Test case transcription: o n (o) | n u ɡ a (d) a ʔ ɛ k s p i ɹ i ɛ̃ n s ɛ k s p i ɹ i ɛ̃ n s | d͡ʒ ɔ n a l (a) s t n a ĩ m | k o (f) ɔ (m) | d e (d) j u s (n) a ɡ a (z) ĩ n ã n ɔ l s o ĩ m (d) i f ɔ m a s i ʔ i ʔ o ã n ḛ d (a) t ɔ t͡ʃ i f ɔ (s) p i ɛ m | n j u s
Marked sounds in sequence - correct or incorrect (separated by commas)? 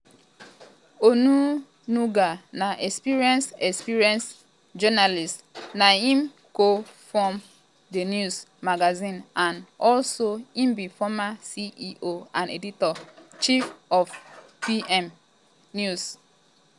incorrect, incorrect, incorrect, correct, correct, incorrect, incorrect, correct, incorrect, incorrect, incorrect